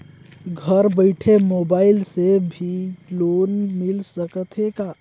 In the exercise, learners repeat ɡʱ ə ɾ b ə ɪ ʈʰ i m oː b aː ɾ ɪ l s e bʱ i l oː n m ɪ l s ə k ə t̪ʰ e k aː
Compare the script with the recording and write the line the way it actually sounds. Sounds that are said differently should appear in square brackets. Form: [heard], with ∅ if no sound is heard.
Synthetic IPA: ɡʱ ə ɾ b ə ɪ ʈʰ [e] m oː b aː [∅] ɪ l s e bʱ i l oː n m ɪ l s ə k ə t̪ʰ e k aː